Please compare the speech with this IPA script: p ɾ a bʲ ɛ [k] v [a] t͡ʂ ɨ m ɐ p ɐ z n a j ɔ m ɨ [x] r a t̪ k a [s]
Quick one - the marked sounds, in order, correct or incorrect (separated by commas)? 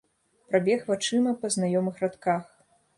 incorrect, correct, correct, incorrect